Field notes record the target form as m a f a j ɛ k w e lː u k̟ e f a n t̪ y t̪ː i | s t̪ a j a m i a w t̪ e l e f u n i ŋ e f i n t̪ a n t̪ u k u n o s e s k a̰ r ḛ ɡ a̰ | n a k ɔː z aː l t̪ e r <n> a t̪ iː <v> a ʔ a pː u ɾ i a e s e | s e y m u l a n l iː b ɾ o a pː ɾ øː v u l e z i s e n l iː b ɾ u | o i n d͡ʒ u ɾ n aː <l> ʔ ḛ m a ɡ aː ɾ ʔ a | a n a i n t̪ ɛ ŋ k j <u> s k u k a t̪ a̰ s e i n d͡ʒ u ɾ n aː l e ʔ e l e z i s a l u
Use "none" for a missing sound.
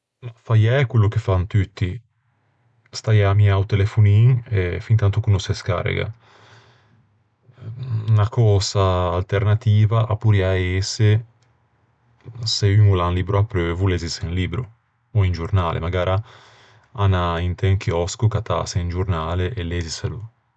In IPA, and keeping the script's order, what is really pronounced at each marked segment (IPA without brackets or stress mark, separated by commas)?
n, v, l, ɔ